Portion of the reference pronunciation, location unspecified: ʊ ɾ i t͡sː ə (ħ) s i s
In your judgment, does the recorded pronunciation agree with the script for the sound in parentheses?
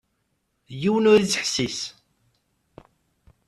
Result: yes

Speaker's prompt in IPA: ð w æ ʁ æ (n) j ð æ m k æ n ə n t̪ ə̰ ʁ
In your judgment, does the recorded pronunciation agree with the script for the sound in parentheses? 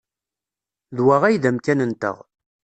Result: no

